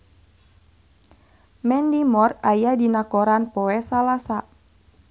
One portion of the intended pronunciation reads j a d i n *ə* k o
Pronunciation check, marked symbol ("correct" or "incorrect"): incorrect